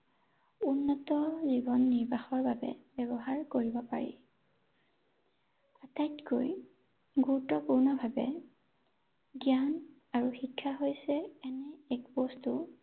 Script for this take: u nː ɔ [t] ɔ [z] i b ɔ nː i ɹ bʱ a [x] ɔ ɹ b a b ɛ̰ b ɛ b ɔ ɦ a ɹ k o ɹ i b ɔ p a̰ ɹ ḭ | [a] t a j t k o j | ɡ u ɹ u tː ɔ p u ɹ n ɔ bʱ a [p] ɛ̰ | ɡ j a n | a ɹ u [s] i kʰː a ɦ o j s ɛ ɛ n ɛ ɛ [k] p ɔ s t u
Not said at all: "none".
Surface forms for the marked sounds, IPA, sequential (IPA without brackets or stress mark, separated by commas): t, z, x, a, b, x, k